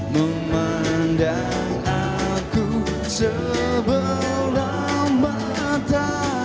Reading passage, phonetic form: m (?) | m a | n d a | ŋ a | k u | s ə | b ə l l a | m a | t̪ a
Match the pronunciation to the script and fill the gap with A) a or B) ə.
B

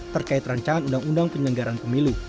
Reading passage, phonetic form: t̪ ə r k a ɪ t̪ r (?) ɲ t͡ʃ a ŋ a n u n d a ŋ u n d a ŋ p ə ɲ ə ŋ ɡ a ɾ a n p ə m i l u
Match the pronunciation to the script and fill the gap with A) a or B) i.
A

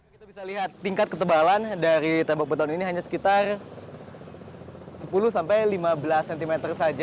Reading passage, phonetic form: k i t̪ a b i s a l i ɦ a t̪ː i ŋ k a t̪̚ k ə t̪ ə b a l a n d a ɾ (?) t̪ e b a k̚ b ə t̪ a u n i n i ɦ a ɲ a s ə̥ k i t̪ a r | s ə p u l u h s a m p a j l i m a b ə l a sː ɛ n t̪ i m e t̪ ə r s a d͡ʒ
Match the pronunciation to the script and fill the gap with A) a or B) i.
B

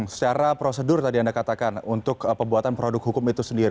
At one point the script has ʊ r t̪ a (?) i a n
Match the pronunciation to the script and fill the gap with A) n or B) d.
B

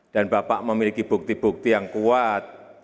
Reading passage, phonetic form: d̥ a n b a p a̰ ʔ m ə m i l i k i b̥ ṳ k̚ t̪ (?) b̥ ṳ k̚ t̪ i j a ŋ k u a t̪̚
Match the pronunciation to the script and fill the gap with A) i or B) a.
A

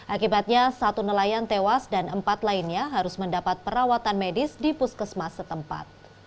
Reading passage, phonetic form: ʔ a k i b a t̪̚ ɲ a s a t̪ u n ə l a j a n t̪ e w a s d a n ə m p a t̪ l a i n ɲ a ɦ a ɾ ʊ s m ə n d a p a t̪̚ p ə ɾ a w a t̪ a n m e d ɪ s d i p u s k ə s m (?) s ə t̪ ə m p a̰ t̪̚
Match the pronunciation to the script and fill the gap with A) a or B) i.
A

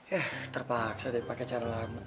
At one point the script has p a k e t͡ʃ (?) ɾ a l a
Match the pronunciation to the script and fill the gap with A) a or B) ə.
A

